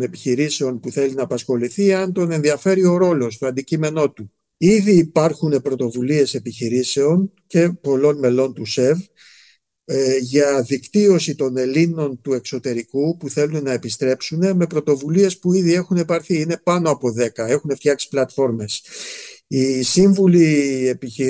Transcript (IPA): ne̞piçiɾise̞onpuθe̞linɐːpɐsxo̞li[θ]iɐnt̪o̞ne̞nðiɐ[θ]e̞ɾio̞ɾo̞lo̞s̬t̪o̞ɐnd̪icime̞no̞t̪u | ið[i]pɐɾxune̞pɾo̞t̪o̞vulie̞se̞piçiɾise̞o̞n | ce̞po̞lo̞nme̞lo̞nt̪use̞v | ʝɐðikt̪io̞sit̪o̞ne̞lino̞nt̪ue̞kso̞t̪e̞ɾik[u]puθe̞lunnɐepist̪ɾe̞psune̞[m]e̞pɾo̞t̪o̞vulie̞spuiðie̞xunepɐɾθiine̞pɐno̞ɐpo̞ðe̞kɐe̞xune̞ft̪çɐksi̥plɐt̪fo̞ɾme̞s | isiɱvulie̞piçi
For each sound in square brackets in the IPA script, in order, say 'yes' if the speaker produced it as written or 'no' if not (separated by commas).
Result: yes, no, no, yes, yes